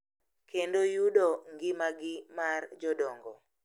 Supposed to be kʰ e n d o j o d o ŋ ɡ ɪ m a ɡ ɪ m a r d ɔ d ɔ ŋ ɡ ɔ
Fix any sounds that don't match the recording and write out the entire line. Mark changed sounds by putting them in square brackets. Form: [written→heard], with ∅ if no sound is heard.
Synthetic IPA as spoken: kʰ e n d o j [o→u] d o ŋ ɡ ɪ m a ɡ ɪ m a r [d→d͡ʒ] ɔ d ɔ ŋ ɡ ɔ